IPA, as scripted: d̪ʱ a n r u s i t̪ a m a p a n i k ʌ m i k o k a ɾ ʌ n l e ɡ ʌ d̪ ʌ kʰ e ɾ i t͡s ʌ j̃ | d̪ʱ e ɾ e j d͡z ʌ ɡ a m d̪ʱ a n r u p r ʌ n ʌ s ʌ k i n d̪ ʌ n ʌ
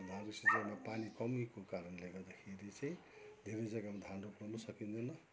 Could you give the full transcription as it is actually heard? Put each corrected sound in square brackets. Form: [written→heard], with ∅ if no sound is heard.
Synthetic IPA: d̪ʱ a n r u s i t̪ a m a p a n i k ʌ m i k o k a ɾ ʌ n l e ɡ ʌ d̪ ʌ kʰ e ɾ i t͡s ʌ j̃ | d̪ʱ e ɾ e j d͡z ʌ ɡ a m d̪ʱ a n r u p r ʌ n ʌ s ʌ k i n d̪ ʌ n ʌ

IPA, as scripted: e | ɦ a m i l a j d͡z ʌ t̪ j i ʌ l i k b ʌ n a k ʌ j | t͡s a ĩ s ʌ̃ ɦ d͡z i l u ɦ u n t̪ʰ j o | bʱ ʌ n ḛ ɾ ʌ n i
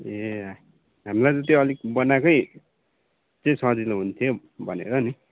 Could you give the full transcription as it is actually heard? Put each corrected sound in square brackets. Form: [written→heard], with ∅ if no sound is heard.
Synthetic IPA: e | ɦ a m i l a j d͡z ʌ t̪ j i ʌ l i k b ʌ n a k ʌ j | t͡s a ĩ s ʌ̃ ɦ d͡z i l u ɦ u n t̪ʰ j o | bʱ ʌ n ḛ ɾ ʌ n i

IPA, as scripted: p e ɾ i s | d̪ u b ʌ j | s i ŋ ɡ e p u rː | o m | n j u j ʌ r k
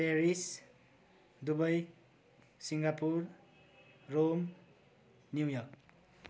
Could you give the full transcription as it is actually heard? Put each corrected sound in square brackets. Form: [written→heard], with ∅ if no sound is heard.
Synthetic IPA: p e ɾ i s | d̪ u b ʌ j | s i ŋ ɡ [e→a] p u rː | o m | n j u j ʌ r k

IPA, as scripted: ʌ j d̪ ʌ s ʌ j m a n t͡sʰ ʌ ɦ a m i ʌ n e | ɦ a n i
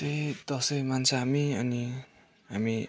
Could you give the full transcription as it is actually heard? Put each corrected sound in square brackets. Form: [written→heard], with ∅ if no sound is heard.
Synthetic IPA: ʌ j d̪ ʌ s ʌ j m a n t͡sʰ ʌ ɦ a m i ʌ n [e→i] | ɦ a [n→m] i

